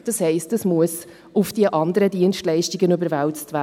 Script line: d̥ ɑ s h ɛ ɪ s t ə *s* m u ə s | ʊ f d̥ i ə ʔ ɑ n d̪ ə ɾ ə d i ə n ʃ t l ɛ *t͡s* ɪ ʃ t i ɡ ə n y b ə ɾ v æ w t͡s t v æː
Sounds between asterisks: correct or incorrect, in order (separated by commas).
correct, incorrect